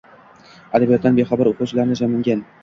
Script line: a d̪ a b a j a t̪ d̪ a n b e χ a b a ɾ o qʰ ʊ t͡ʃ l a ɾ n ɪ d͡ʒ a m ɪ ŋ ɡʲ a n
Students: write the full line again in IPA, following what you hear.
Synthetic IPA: a d̪ a b i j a t̪ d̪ a n b e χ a b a ɾ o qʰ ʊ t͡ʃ l a ɾ n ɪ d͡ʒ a m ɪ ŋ ɡʲ a n